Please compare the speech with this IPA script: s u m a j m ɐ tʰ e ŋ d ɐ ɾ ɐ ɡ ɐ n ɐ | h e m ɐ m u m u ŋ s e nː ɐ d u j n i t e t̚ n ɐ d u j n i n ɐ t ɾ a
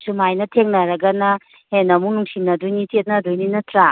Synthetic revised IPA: s u m a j n ɐ tʰ e ŋ n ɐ ɾ ɐ ɡ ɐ n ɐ | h e n ɐ m u n u ŋ s i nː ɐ d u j n i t e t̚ n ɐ d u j n i n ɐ t ɾ a